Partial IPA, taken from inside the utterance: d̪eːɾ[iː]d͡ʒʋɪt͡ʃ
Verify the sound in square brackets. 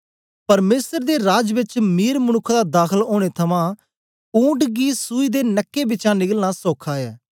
incorrect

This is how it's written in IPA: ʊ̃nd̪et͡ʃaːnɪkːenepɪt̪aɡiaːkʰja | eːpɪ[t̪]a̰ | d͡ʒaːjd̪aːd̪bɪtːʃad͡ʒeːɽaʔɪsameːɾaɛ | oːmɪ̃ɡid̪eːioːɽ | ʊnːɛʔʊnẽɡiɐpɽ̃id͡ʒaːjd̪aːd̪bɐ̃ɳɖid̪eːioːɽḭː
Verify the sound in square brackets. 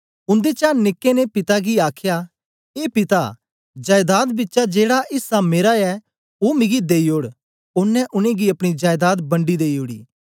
correct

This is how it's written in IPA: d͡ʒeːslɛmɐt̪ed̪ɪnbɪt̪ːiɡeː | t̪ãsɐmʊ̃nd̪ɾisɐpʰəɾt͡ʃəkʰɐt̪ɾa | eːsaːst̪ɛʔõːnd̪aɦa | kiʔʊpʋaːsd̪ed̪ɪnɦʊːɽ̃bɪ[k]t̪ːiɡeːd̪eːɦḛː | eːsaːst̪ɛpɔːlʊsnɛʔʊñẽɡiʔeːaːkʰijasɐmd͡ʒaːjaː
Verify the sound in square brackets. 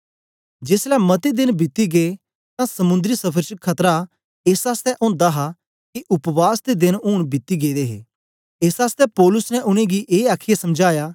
incorrect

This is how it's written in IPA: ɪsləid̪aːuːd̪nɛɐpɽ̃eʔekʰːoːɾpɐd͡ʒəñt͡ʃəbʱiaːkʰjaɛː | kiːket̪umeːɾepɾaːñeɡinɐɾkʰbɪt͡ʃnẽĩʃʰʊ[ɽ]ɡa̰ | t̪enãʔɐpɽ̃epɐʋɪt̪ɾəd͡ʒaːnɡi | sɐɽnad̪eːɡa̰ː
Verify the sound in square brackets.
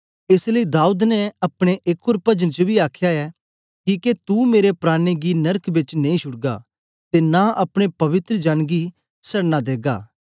correct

